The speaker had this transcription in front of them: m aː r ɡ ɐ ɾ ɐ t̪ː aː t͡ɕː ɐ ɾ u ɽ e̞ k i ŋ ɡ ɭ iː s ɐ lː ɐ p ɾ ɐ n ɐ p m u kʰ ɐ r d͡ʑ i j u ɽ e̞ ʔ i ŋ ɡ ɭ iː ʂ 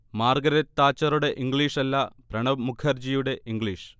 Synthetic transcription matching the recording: m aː r ɡ ɐ ɾ ɐ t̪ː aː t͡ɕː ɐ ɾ u ɽ e̞ ʔ i ŋ ɡ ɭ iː ʂ ɐ lː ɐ p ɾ ɐ ɳ ɐ m u kʰ ɐ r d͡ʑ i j u ɽ e̞ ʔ i ŋ ɡ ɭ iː ʂ